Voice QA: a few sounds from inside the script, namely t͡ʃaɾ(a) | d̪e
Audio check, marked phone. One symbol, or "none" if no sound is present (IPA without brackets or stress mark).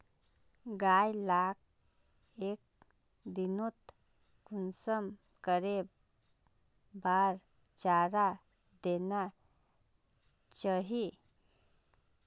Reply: a